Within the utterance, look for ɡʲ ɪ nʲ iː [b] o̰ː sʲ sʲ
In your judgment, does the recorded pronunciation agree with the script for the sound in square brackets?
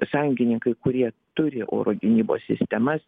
yes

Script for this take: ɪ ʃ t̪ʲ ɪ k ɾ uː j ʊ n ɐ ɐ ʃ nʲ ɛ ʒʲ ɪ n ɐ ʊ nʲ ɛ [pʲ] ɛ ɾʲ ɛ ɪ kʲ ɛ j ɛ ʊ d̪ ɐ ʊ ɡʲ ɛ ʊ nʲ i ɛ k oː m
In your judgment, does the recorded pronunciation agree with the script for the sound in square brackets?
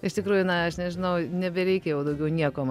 no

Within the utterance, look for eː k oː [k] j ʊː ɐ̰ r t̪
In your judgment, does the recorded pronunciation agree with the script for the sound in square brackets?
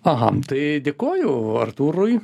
no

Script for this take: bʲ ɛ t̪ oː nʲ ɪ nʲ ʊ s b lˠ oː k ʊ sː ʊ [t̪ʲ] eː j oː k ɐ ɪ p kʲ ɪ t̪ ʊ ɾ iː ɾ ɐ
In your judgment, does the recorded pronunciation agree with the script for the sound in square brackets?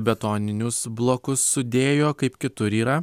no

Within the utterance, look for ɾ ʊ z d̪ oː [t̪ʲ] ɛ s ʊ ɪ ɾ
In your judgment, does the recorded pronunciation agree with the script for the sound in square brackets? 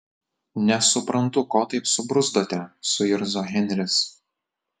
yes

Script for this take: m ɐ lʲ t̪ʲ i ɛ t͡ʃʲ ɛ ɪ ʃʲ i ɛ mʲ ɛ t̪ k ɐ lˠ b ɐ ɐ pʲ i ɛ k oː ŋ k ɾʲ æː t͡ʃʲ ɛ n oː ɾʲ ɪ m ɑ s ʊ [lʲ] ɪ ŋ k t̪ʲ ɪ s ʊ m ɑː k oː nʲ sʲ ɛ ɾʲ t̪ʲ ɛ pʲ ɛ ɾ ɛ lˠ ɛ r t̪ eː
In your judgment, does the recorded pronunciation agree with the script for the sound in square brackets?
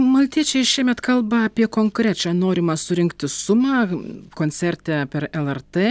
no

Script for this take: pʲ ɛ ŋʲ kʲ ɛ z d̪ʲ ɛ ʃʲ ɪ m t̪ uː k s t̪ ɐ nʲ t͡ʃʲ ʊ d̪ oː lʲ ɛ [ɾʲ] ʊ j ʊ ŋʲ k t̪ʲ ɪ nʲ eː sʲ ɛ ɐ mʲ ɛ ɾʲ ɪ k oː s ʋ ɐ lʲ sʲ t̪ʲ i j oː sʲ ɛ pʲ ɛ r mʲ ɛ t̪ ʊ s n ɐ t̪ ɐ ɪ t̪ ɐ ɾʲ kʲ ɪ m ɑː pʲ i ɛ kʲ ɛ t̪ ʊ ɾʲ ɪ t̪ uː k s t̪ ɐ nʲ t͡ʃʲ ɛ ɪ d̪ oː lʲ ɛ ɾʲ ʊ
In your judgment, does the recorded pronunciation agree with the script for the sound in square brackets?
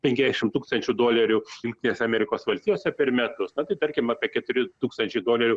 yes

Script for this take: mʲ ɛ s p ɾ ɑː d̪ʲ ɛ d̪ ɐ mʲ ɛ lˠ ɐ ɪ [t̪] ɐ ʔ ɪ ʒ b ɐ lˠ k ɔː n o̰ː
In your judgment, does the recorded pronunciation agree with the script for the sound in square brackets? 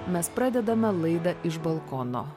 no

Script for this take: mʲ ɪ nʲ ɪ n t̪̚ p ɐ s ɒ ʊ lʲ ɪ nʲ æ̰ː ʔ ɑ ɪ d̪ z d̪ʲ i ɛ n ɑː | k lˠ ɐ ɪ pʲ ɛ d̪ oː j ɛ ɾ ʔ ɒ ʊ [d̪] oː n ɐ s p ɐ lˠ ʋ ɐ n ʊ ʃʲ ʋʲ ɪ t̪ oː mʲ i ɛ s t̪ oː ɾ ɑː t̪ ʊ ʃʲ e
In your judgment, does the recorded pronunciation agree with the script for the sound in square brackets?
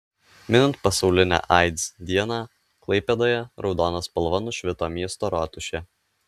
yes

